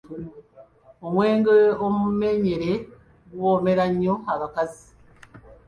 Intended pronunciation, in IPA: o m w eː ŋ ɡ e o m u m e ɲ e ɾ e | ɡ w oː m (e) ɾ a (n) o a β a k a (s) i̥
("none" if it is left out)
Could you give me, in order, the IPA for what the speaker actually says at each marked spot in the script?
e, ɲ, z

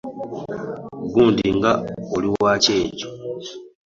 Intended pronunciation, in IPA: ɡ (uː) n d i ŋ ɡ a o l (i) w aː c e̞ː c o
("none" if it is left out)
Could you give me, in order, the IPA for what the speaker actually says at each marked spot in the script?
uː, i

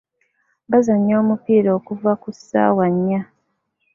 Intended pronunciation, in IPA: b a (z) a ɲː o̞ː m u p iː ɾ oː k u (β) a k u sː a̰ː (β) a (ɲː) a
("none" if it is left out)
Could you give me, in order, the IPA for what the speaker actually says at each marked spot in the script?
z, v, w, ɲː

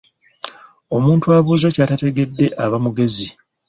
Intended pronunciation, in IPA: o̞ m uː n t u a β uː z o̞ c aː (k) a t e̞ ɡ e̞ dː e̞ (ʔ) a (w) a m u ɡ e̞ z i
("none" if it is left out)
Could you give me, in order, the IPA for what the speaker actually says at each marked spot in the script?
t, ʔ, β

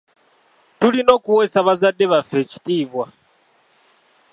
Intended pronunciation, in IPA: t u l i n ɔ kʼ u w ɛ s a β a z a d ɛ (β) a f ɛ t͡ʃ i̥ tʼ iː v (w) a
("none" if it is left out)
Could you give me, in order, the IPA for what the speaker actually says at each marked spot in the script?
β, w

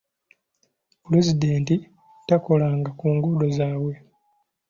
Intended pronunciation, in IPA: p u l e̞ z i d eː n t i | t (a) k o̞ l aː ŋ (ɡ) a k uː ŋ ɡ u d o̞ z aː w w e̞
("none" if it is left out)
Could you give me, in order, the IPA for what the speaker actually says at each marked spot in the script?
a, ɡ

